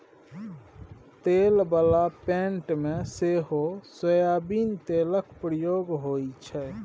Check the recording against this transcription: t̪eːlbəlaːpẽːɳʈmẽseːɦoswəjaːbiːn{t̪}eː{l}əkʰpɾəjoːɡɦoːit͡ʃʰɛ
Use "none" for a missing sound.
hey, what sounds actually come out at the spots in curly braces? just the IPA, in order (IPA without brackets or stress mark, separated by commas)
t̪, l